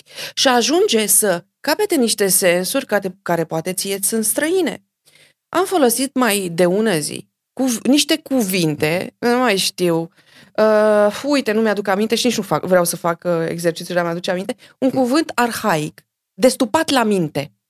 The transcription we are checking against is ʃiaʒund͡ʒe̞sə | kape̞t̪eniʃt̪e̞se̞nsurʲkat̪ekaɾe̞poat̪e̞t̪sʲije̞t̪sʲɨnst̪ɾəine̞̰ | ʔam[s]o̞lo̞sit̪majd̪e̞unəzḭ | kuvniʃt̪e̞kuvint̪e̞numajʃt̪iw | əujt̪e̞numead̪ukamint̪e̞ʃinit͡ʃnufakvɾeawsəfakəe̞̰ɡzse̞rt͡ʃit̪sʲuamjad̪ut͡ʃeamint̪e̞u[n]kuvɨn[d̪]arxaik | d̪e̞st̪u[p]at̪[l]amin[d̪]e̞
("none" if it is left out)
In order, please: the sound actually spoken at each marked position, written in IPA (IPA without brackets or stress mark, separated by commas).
f, ŋ, t̪, p, l, t̪